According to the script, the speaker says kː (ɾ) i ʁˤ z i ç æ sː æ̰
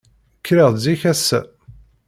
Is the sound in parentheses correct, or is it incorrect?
correct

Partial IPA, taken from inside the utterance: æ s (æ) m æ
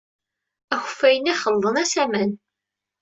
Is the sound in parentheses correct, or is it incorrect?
correct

